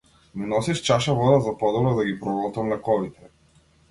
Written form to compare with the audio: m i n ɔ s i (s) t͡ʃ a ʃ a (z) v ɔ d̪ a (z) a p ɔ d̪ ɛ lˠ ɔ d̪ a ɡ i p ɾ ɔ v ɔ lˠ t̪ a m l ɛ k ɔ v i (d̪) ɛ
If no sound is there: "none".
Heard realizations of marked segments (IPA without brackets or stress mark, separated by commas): ʃ, none, z, t̪